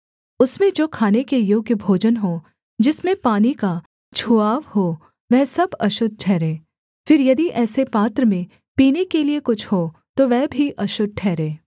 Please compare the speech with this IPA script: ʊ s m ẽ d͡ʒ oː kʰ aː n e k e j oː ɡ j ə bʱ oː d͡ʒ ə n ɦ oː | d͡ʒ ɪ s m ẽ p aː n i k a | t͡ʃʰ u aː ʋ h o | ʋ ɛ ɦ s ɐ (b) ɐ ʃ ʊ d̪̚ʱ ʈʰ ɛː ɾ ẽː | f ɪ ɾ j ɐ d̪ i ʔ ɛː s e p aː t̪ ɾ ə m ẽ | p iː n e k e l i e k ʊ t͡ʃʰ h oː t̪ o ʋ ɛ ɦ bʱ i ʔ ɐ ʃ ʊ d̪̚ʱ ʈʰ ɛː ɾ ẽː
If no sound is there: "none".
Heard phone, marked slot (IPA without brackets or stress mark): b